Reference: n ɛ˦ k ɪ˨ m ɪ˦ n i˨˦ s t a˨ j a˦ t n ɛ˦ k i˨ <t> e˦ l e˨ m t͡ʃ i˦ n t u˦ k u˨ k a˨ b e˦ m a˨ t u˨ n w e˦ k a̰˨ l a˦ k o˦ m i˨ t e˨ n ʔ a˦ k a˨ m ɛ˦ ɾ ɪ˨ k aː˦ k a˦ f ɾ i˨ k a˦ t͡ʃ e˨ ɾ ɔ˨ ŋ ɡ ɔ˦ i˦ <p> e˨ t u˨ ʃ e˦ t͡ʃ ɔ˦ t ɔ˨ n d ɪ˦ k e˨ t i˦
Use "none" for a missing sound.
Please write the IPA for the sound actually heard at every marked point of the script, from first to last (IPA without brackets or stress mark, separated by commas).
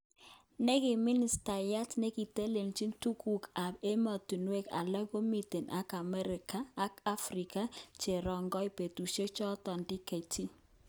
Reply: t, p